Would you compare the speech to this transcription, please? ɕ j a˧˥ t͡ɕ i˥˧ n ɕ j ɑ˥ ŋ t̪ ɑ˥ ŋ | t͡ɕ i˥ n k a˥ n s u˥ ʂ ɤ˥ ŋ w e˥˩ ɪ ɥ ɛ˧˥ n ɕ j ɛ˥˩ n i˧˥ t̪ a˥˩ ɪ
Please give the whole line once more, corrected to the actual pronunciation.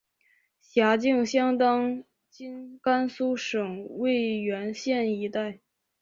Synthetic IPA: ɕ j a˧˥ t͡ɕ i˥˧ ŋ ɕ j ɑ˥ ŋ t̪ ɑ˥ ŋ | t͡ɕ i˥ n k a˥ n s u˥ ʂ ɤ˨˩ ŋ w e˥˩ ɪ ɥ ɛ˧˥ n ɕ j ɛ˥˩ n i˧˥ t̪ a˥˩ ɪ